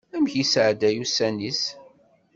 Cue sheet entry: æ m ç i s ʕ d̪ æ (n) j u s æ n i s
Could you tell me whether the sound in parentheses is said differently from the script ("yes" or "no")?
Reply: yes